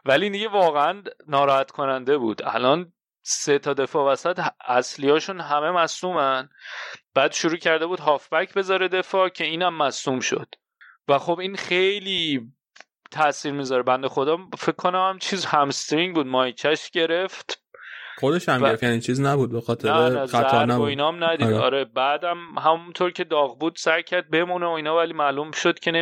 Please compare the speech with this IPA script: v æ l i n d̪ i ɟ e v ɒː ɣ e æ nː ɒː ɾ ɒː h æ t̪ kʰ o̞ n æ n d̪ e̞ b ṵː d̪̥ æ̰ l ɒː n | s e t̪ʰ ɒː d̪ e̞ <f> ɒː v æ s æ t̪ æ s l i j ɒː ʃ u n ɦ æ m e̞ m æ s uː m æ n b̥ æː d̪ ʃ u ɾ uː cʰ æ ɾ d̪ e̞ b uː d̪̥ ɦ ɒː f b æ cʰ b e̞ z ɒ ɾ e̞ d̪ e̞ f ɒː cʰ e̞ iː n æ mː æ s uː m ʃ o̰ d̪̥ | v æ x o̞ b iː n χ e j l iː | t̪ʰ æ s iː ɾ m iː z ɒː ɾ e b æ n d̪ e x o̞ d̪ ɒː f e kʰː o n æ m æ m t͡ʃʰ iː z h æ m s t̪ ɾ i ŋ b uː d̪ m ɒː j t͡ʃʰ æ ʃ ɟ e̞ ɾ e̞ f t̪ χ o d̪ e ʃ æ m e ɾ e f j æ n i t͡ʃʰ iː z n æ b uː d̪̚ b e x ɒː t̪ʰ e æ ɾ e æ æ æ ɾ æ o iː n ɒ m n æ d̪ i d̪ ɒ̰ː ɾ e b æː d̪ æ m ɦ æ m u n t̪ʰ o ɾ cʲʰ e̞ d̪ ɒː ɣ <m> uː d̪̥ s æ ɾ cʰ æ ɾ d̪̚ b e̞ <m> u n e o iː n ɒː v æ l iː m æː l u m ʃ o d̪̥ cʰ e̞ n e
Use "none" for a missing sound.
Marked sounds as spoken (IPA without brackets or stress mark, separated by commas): f, b, m